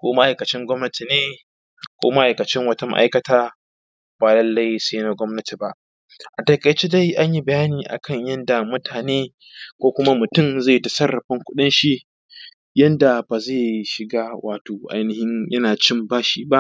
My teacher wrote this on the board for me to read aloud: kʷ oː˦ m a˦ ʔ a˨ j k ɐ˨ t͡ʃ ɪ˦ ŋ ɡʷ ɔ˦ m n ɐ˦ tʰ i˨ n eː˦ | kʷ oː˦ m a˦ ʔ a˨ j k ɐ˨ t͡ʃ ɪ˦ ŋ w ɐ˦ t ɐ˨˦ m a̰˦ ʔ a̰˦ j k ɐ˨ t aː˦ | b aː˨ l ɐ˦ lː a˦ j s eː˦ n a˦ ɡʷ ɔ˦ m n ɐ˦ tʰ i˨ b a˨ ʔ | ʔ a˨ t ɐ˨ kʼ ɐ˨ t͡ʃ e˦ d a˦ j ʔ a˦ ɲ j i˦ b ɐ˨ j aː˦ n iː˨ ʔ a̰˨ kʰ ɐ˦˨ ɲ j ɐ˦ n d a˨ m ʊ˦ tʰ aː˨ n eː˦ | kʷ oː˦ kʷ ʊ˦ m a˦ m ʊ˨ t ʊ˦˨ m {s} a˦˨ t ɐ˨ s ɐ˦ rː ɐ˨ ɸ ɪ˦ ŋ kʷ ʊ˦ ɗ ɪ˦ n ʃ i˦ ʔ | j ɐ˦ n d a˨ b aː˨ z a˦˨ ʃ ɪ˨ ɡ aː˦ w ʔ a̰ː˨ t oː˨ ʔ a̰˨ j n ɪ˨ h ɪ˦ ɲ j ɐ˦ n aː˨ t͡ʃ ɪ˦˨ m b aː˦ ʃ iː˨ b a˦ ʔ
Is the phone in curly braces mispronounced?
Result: yes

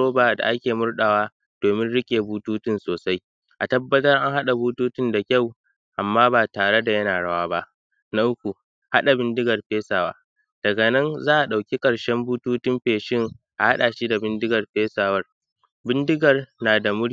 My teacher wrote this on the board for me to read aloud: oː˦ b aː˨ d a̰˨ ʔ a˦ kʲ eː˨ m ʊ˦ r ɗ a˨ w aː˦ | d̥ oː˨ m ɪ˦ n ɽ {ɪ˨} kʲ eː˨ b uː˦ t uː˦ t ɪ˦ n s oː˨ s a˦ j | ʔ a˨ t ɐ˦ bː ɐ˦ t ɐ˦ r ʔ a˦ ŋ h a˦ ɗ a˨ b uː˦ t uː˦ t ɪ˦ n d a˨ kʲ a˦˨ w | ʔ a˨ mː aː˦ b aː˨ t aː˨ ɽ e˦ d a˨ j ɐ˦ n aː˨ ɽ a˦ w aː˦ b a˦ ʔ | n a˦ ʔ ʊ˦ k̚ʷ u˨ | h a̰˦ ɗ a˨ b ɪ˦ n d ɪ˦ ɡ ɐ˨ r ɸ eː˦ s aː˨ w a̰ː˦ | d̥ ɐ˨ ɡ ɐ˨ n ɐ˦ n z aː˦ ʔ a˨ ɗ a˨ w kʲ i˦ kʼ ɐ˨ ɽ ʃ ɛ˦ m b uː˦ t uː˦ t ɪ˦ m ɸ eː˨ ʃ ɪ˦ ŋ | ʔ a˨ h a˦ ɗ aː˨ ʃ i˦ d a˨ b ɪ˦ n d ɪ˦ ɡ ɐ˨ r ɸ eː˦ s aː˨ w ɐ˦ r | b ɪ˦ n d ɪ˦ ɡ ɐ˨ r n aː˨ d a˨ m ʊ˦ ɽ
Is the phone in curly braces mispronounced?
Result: yes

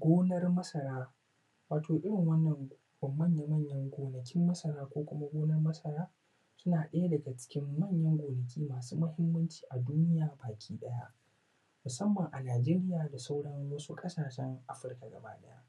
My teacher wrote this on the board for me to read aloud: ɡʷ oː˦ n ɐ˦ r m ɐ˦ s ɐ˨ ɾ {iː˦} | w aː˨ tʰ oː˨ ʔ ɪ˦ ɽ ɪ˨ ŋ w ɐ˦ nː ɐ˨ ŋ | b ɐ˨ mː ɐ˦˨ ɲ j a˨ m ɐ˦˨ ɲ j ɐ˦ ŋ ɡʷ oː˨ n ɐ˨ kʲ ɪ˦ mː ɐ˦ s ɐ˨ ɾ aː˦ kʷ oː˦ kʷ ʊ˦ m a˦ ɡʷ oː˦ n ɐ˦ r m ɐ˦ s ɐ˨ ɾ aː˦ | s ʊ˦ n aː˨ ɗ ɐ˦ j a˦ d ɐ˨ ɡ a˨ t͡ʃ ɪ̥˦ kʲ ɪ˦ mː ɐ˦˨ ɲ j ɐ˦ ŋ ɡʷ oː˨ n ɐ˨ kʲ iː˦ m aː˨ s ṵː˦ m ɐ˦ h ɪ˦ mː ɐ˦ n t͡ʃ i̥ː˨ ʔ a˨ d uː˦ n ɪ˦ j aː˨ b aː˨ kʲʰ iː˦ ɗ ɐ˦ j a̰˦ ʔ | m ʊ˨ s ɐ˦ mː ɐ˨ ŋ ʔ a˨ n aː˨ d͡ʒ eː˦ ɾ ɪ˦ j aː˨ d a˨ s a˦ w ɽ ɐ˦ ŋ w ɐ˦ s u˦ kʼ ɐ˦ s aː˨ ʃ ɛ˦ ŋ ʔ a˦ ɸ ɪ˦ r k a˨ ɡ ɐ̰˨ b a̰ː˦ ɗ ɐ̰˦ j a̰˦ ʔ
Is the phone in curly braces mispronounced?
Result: yes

